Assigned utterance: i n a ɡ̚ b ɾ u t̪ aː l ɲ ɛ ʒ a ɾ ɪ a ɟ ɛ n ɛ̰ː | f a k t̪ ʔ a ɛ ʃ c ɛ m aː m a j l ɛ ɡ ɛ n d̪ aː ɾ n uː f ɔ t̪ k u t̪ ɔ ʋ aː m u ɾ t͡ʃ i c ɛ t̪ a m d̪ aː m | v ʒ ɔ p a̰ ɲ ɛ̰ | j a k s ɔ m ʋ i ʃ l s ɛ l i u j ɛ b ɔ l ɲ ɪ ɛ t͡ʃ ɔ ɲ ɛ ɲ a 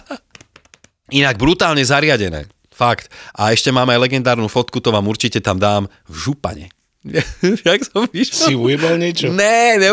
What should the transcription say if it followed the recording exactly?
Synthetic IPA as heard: i n a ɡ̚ b ɾ u t̪ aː l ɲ ɛ z a ɾ ɪ a ɟ ɛ n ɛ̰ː | f a k t̪ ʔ a ɛ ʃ c ɛ m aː m a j l ɛ ɡ ɛ n d̪ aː ɾ n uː f ɔ t̪ k u t̪ ɔ ʋ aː m u ɾ t͡ʃ i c ɛ t̪ a m d̪ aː m | v ʒ u p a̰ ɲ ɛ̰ | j a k s ɔ m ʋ i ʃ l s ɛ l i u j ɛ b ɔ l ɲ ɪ ɛ t͡ʃ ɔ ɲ ɛ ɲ ɛ